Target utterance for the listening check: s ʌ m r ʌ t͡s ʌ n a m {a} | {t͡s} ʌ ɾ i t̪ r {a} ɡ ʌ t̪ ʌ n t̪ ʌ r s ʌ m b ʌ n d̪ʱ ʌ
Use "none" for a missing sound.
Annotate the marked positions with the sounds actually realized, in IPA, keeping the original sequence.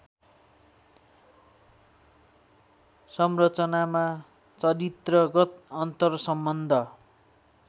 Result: a, t͡s, ʌ

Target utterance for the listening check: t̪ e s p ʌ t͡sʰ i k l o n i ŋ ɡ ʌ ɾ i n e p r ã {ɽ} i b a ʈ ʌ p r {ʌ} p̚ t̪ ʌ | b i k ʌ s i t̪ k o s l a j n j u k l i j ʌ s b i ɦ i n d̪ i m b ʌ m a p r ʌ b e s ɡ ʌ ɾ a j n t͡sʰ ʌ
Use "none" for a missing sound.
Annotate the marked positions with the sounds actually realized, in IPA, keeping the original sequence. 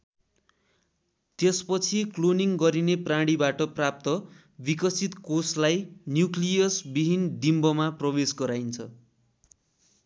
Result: ɽ, a

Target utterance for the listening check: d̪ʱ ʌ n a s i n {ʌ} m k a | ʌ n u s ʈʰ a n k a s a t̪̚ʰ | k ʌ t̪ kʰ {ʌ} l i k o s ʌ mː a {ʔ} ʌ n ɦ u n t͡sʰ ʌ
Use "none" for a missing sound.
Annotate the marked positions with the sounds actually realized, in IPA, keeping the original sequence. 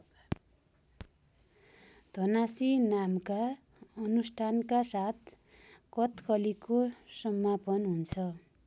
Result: a, ʌ, p

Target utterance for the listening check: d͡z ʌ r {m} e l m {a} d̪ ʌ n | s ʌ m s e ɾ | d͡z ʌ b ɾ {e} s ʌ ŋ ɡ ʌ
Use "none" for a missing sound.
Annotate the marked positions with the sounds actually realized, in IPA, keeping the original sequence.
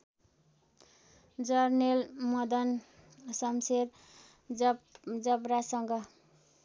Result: n, ʌ, a

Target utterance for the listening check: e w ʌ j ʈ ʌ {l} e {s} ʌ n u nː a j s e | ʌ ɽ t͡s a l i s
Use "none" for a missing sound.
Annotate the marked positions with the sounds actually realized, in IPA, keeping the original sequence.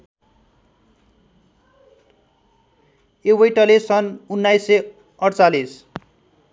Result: l, s

